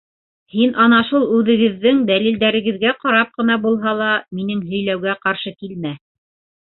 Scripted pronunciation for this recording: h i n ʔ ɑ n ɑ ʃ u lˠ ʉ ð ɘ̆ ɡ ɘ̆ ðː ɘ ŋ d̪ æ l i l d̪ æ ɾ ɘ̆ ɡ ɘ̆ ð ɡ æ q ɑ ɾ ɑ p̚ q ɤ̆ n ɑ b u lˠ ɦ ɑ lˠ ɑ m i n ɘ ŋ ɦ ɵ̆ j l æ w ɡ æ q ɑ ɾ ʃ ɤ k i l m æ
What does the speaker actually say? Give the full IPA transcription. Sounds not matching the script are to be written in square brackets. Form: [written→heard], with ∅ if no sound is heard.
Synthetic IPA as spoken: h i n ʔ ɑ n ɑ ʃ u lˠ ʉ ð ɘ̆ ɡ ɘ̆ ðː ɘ ŋ d̪ æ l i l d̪ æ ɾ ɘ̆ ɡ ɘ̆ ð ɡ æ q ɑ ɾ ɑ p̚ q ɤ̆ n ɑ b u lˠ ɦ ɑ lˠ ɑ m i n ɘ ŋ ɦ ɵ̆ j l æ w ɡ æ q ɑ ɾ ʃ ɤ k i l m æ